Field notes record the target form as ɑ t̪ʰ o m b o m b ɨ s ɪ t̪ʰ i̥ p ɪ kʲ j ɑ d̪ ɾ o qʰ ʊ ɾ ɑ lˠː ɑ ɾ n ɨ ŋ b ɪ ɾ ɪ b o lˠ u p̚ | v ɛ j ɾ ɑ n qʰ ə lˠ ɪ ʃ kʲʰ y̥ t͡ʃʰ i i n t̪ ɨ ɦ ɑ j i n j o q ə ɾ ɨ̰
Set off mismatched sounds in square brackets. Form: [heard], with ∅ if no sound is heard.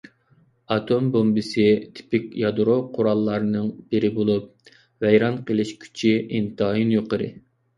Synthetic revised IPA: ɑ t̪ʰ o m b o m b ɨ s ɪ t̪ʰ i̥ p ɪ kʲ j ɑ d̪ ɾ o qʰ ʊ ɾ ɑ lˠː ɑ ɾ n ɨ ŋ b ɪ ɾ ɪ b o lˠ u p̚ | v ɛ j ɾ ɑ n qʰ ə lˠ ɪ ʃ kʲʰ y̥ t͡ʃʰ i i n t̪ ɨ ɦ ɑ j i n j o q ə ɾ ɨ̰